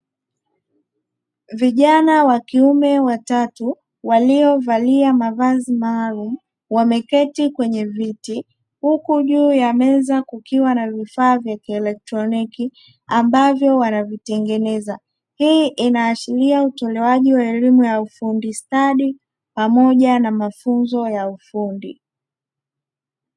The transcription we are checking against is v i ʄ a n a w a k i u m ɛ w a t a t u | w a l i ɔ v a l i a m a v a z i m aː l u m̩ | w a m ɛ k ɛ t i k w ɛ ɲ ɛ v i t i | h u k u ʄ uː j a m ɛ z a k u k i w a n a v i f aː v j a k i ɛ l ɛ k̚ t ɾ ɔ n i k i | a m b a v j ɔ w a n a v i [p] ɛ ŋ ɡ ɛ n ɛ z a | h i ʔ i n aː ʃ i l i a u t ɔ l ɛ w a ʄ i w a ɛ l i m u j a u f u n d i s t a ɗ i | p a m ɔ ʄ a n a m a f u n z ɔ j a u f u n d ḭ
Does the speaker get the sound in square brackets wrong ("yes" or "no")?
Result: yes